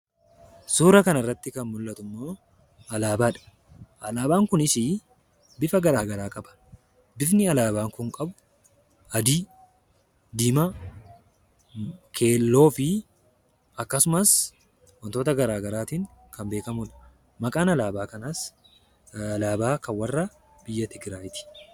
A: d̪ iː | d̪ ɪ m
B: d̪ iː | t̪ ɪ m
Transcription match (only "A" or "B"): A